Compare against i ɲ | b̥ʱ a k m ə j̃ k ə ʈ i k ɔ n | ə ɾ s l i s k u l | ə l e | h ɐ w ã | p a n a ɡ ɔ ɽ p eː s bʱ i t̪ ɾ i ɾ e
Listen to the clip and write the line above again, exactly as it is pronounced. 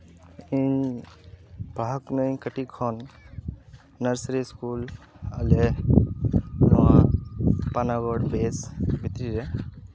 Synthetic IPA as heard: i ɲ | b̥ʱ a k n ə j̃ k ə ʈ i kʰ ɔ n | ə ɾ s ɾ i s k u l | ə l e | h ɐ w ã | p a n a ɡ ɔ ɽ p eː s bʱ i t̪ ɾ i ɾ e

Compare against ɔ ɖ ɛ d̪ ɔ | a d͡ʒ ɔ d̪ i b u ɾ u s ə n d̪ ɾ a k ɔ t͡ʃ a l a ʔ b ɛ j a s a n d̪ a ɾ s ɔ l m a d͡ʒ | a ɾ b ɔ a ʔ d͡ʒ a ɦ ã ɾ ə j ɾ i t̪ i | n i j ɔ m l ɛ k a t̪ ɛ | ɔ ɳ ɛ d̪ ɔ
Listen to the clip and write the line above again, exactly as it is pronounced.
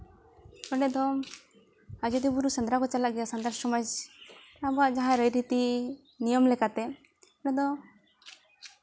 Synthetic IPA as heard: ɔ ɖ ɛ d̪ ɔ | a d͡ʒ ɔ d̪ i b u ɾ u s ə n d̪ ɾ a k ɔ t͡ʃ a l a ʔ ɡ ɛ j a s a n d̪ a ɾ s ɔ m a d͡ʒ | a b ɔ a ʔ d͡ʒ a ɦ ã ɾ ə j ɾ i t̪ i | n i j ɔ m l ɛ k a t̪ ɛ | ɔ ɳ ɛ d̪ ɔ

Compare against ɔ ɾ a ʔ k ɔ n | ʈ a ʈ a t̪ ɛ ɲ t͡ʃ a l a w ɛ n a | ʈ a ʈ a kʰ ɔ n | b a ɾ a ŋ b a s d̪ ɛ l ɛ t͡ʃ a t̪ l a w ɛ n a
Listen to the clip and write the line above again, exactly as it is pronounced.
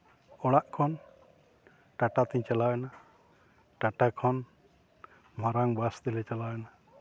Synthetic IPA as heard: ɔ ɽ a ʔ kʰ ɔ n | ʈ a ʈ a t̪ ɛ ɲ t͡ʃ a l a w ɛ n a | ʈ a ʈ a kʰ ɔ n | m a ɾ a ŋ b a s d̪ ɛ l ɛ t͡ʃ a l a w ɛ n a

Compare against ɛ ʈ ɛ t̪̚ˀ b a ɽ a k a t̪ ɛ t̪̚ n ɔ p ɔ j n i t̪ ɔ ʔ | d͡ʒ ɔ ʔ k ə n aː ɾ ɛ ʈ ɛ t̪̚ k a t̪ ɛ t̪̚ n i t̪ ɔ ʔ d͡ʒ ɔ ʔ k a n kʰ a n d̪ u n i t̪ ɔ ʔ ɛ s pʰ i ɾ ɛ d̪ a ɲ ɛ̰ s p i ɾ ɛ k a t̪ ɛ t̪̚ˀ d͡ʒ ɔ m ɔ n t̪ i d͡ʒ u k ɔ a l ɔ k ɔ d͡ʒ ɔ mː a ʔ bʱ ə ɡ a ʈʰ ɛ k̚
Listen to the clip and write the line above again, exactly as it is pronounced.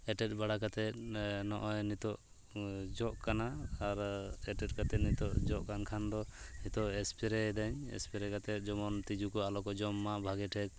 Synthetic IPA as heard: ɛ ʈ ɛ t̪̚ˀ b a ɽ a k a t̪ ɛ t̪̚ n ɔ ʔ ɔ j n i t̪ ɔ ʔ | d͡ʒ ɔ ʔ k a n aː ɾ ɛ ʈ ɛ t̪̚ k a t̪ ɛ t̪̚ n i t̪ ɔ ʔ d͡ʒ ɔ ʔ k a n kʰ a n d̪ ɔ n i t̪ ɔ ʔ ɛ s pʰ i ɾ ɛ d̪ a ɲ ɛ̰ s p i ɾ ɛ k a t̪ ɛ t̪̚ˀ d͡ʒ ɔ m ɔ n t̪ i d͡ʒ u k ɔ a l ɔ k ɔ d͡ʒ ɔ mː a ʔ bʱ a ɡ ɛ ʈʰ ɛ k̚

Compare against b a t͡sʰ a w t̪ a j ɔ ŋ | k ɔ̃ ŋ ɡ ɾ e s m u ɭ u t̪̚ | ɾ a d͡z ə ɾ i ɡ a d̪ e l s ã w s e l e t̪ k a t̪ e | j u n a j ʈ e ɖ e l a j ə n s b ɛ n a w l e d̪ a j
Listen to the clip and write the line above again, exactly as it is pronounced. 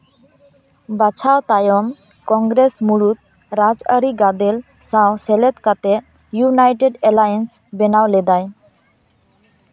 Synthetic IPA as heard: b a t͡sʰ a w t̪ a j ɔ m | k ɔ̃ ŋ ɡ ɾ e s m u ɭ u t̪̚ | ɾ a d͡z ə ɾ i ɡ a d̪ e l s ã w s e l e t̪ k a t̪ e | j u n a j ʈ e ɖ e l a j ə n s b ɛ n a w l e d̪ a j

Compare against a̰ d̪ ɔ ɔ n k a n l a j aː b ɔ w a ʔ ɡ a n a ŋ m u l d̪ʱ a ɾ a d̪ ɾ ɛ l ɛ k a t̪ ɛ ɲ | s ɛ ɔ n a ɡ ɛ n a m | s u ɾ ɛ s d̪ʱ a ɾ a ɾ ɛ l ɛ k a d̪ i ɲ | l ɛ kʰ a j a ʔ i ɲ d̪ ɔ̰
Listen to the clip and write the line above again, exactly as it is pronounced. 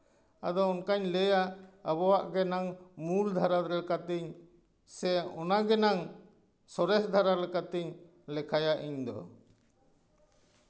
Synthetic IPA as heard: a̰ d̪ ɔ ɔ n k a ɲ l ɛ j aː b ɔ w a ʔ ɡ ɛ n a ŋ m u l d̪ʱ a ɾ a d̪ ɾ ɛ l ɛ k a t̪ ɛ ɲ | s ɛ ɔ n a ɡ ɛ n a ŋ | s ɔ ɾ ɛ s d̪ʱ a ɾ a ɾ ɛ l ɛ k a t̪ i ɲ | l ɛ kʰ a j a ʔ i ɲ d̪ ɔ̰

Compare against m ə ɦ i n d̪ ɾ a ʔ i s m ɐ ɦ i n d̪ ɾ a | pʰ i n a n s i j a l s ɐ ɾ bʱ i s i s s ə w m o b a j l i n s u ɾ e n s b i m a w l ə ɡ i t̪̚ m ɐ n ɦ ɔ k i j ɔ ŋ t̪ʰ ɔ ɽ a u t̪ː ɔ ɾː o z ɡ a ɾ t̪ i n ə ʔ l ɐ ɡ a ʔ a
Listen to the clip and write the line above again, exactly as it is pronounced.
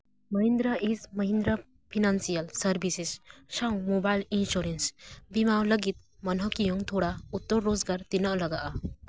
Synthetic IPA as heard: m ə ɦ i n d̪ ɾ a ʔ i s m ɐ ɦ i n d̪ ɾ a | pʰ i n a n s i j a l s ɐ ɾ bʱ i s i s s a w m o b a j l i n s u ɾ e n s b i m a w l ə ɡ i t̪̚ m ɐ n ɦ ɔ k i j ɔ ŋ t̪ʰ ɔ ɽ a u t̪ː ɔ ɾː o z ɡ a ɾ t̪ i n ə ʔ l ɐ ɡ a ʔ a

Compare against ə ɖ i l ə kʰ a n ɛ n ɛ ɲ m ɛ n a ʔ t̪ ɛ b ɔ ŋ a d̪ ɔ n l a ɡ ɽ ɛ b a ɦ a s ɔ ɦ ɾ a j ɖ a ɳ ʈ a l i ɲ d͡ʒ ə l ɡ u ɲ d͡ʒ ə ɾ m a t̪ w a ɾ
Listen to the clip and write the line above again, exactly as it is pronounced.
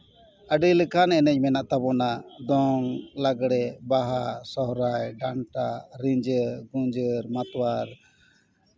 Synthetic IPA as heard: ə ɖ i l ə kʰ a n ɛ n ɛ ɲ m ɛ n a ʔ t̪ a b ɔ n a d̪ ɔ ŋ l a ɡ ɽ ɛ b a ɦ a s ɔ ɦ ɾ a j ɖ a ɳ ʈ a ɾ i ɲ d͡ʒ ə ɾ ɡ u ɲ d͡ʒ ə ɾ m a t̪ w a ɾ

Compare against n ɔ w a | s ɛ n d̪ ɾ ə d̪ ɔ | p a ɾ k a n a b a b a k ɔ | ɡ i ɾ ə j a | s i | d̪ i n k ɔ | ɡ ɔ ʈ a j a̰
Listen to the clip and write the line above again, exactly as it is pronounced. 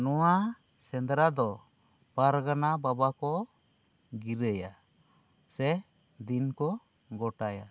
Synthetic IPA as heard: n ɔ w a | s ɛ n d̪ ɾ a d̪ ɔ | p a ɾ ɡ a n a b a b a k ɔ | ɡ i ɾ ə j a | s ɛ | d̪ i n k ɔ | ɡ ɔ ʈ a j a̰

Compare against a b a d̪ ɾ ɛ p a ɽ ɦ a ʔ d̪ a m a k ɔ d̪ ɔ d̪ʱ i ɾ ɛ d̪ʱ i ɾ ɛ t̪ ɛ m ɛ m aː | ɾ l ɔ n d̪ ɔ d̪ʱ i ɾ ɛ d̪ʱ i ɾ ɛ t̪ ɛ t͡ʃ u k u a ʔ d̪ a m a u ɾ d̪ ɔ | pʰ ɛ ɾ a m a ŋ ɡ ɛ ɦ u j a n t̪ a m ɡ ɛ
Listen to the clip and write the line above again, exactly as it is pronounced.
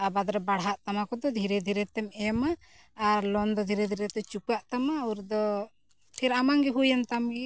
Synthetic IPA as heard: a b a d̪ ɾ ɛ b a ɽ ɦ a ʔ t̪ a m a k ɔ d̪ ɔ d̪ʱ i ɾ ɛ d̪ʱ i ɾ ɛ t̪ ɛ m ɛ m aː | ɾ l ɔ n d̪ ɔ d̪ʱ i ɾ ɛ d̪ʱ i ɾ ɛ t̪ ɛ t͡ʃ u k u a ʔ t̪ a m a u ɾ d̪ ɔ | pʰ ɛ ɾ a m a ŋ ɡ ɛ ɦ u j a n t̪ a m ɡ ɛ

